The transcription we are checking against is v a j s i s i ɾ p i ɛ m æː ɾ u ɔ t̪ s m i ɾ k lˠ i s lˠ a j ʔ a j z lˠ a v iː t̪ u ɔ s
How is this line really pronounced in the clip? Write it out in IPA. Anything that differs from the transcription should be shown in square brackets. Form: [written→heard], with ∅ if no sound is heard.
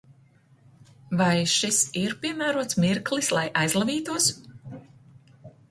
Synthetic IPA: v a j [s→ʃ] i s i ɾ p i ɛ m æː ɾ u ɔ t̪ s m i ɾ k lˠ i s lˠ a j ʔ a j z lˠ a v iː t̪ u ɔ s

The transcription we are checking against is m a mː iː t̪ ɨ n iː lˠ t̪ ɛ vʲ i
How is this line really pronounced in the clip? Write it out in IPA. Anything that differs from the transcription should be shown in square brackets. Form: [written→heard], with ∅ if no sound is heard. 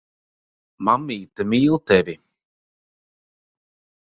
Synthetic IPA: m a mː iː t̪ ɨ [n→m] iː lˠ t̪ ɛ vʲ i

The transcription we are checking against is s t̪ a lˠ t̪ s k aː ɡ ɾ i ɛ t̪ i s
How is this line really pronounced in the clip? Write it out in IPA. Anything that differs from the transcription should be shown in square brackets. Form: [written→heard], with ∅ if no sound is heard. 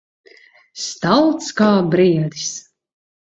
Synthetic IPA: s t̪ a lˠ t̪ s k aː [ɡ→b] ɾ i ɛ [t̪→d̪] i s

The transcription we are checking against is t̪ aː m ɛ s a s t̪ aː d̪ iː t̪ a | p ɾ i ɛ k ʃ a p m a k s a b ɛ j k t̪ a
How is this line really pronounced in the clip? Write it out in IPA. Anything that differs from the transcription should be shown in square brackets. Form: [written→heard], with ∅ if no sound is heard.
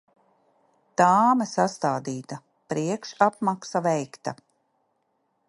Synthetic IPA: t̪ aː m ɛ s a s t̪ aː d̪ iː t̪ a | p ɾ i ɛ k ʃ a p m a k s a [b→v] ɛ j k t̪ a

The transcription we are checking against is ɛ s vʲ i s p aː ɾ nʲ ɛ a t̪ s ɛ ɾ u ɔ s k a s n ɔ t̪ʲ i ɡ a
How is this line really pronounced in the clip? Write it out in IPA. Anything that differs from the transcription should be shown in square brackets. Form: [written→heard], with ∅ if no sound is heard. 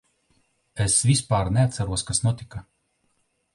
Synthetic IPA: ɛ s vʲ i s p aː ɾ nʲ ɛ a t̪ s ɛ ɾ u ɔ s k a s n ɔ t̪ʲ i [ɡ→k] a

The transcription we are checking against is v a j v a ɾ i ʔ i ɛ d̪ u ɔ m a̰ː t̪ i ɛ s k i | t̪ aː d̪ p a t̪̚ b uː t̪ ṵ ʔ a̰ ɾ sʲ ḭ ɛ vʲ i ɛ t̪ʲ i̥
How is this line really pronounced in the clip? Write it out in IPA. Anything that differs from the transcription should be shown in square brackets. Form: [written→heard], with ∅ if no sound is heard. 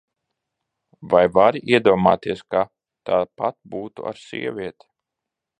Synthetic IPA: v a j v a ɾ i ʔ i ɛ d̪ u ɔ m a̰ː t̪ i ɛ s k [i→a] | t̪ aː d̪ p a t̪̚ b uː t̪ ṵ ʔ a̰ ɾ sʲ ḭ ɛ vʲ i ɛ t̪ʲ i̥

